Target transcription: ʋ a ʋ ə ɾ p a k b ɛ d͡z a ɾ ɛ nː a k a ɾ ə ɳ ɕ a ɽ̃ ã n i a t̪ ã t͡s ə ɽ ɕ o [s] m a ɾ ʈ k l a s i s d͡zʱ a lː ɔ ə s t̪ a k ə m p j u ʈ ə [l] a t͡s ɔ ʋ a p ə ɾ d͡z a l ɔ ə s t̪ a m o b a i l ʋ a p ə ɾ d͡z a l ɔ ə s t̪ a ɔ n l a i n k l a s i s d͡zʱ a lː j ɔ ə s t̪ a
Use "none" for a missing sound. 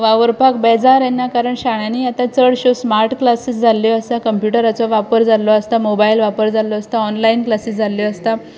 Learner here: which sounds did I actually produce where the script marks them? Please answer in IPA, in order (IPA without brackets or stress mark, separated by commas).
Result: s, ɾ